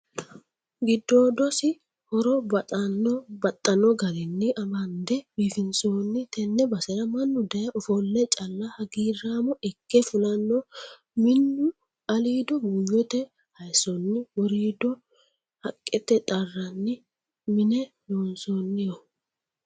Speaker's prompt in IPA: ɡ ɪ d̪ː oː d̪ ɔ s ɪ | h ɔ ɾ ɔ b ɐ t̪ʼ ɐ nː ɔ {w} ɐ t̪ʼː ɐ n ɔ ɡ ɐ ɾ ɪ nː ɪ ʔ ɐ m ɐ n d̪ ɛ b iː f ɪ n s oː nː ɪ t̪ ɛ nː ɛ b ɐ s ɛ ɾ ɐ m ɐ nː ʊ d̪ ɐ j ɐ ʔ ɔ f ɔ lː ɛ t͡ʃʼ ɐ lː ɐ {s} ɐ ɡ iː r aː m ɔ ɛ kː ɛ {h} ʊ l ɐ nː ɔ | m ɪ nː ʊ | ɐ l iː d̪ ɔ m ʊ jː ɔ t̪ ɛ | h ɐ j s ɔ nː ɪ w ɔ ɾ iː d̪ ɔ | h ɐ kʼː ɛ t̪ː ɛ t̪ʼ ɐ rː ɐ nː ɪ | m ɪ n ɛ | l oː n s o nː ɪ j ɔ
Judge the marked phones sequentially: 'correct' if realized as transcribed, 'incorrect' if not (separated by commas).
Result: incorrect, incorrect, incorrect